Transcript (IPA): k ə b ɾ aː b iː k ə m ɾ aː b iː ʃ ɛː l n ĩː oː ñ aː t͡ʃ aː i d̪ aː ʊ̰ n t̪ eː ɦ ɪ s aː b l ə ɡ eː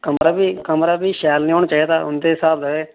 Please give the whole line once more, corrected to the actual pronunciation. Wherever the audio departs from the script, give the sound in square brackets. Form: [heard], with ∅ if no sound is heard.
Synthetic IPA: k ə [m] ɾ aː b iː k ə m ɾ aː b iː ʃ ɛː l n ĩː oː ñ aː t͡ʃ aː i d̪ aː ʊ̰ n [d̪] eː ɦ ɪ s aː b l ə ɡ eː